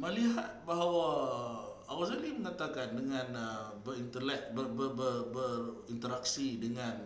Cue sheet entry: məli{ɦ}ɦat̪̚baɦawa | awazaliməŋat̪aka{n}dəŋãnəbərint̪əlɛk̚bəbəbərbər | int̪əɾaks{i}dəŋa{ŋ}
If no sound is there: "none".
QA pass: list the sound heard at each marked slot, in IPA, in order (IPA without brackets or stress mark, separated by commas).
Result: ɦ, n, i, n